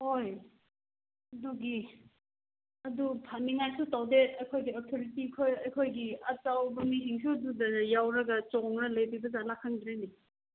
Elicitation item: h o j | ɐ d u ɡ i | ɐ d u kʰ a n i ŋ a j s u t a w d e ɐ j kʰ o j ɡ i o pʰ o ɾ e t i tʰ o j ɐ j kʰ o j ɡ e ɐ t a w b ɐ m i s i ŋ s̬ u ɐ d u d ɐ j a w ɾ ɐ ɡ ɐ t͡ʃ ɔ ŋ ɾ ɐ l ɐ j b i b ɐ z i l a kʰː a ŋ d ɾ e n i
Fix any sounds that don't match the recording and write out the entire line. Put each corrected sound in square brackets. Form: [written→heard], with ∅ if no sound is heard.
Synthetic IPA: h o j | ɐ d u ɡ i | ɐ d u [kʰ→pʰ] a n i ŋ a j s u t a w d e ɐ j kʰ o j ɡ i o [pʰ→tʰ] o ɾ [e→i] t i [tʰ→kʰ] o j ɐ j kʰ o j ɡ [e→i] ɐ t a w b ɐ m i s i ŋ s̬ u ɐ d u d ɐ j a w ɾ ɐ ɡ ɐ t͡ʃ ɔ ŋ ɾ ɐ l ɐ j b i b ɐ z [i→a] l a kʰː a ŋ d ɾ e n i